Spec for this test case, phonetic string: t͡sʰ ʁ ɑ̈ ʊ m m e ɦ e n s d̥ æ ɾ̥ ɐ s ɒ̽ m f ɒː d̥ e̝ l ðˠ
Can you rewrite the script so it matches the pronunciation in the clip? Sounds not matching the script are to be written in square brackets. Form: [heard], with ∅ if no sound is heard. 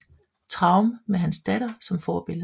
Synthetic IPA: t͡sʰ ʁ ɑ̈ ʊ m m e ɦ [æ] n s d̥ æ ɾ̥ ɐ s ɒ̽ m f ɒː [b̥] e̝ l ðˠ